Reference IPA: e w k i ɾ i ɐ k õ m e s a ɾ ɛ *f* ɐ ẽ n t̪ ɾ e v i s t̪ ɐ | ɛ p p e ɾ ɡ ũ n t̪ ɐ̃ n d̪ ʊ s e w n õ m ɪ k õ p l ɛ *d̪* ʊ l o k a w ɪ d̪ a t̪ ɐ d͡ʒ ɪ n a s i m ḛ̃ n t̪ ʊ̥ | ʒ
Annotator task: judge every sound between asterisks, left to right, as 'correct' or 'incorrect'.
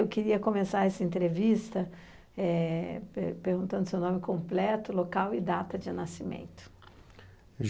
incorrect, incorrect

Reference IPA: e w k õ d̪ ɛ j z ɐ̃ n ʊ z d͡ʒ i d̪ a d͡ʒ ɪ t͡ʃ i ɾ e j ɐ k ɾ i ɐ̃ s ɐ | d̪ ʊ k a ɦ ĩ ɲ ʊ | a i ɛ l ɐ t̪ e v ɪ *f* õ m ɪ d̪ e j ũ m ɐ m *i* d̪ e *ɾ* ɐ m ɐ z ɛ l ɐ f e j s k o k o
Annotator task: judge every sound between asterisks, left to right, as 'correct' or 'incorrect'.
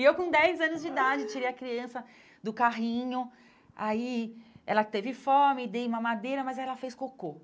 correct, incorrect, correct

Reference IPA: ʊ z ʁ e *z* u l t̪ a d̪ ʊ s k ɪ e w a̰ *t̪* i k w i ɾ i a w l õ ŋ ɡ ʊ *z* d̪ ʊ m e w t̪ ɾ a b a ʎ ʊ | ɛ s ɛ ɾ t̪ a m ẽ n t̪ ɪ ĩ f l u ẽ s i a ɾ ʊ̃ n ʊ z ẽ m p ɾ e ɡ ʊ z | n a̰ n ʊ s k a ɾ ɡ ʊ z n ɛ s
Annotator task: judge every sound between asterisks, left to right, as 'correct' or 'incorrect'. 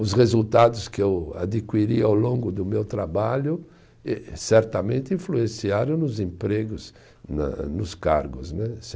correct, incorrect, incorrect

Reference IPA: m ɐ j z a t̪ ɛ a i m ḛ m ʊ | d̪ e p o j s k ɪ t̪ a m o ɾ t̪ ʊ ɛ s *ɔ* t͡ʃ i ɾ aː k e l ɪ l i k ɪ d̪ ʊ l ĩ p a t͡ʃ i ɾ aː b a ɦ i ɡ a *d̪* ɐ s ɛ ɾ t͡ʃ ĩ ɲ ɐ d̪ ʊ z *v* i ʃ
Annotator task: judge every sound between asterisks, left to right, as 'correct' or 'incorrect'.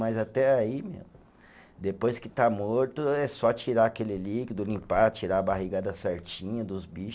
correct, correct, incorrect

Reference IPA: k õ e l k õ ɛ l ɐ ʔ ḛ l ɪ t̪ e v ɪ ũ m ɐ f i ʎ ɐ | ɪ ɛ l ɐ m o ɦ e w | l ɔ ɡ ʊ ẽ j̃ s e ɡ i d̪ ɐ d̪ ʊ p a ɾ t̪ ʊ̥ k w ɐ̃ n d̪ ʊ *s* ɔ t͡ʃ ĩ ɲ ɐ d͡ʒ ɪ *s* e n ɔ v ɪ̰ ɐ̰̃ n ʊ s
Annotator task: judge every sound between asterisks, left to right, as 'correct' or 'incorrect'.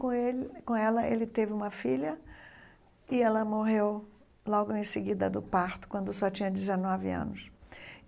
correct, incorrect

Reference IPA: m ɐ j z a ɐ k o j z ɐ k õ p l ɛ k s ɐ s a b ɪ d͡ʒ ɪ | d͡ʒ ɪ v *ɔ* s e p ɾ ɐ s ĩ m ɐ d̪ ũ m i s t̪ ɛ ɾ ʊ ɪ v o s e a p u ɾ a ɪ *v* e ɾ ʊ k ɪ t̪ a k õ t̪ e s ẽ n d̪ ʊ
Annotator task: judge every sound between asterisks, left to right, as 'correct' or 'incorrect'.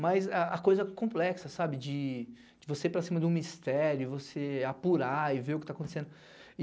incorrect, correct

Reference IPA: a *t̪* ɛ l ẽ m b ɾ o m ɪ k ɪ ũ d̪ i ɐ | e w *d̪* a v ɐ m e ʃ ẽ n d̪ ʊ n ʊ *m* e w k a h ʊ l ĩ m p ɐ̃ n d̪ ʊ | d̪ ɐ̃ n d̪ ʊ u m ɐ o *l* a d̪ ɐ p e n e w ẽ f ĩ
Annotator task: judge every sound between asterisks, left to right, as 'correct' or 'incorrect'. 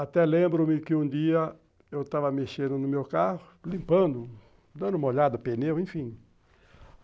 correct, incorrect, correct, incorrect

